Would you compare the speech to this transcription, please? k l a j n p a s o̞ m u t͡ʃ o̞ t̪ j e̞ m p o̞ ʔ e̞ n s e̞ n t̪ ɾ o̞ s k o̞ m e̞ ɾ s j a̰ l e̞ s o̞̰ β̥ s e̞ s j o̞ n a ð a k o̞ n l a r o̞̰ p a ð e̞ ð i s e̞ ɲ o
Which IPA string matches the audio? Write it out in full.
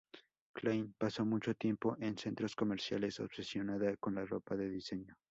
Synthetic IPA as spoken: k l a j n p a s o̞ m u t͡ʃ o̞ t̪ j e̞ m p o̞ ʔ e̞ n s e̞ n t̪ ɾ o̞ s k o̞ m e̞ ɾ s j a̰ l e̞ s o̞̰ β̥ s e̞ s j o̞ n a ð a k o̞ n l a r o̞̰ p a ð e̞ ð i s e̞ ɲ o